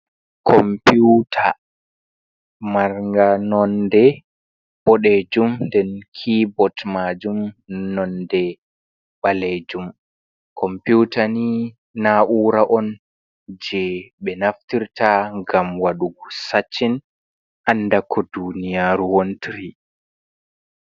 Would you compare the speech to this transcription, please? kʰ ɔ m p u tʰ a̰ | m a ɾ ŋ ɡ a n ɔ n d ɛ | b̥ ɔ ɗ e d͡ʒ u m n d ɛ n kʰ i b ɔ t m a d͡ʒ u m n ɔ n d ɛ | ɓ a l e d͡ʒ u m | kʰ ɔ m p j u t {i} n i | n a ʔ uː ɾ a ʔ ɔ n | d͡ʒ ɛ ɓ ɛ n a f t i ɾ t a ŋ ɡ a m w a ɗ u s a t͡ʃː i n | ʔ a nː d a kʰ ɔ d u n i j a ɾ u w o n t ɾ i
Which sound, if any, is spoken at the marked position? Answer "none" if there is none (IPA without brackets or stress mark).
a